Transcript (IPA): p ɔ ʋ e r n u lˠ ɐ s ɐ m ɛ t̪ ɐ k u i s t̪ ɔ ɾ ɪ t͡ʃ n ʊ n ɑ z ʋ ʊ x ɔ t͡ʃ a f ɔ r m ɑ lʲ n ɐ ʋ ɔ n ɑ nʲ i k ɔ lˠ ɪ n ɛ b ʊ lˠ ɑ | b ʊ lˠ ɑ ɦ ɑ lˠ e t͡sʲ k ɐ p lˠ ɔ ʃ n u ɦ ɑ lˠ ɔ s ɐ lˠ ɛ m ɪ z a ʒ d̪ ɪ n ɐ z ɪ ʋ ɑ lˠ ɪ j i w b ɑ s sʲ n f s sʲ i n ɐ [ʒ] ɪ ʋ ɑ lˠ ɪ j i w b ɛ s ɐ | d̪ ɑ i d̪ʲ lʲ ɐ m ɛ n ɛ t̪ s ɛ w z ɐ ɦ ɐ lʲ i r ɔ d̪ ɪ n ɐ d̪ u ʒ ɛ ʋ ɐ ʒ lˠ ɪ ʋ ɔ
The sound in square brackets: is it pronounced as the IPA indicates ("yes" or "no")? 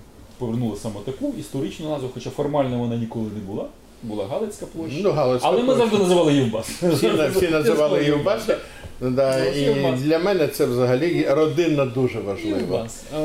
no